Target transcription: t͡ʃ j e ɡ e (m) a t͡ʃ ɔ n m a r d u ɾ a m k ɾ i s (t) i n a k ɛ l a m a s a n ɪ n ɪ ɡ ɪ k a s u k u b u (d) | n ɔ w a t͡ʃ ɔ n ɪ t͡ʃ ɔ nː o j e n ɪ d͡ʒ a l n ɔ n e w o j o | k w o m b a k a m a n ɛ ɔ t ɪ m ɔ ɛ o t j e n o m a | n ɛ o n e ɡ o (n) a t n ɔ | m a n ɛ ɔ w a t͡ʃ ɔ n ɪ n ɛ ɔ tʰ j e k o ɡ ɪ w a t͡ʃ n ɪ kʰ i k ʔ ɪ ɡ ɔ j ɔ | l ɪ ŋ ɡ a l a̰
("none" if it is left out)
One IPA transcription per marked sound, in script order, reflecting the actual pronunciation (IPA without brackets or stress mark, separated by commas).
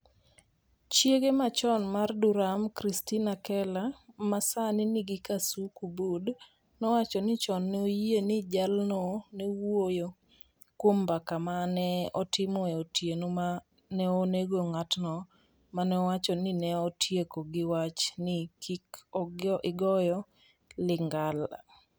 m, t, d, ŋ